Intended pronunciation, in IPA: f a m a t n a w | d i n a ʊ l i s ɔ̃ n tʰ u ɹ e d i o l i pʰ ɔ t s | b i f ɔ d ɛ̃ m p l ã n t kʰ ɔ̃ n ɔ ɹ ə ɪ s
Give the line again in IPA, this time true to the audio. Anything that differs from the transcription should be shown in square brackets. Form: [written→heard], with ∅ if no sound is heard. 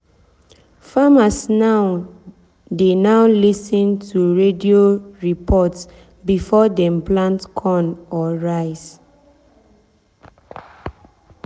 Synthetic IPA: f a m a [t→s] n a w | d [i→e] n a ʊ l i s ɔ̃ n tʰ u ɹ e d i o [l→ɹ] i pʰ ɔ t s | b i f ɔ d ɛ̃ m p l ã n t kʰ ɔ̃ n ɔ ɹ [ə→a] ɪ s